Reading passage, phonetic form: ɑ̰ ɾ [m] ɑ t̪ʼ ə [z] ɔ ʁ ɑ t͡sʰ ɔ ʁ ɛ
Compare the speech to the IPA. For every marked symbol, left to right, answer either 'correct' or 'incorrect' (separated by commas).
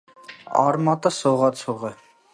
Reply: correct, incorrect